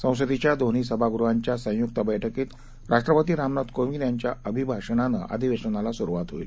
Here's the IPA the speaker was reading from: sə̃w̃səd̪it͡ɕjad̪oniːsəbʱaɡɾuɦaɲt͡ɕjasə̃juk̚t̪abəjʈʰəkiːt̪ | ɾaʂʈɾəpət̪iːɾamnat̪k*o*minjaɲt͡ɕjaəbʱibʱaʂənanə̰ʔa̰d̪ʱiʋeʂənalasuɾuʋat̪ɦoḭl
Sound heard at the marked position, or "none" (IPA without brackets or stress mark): o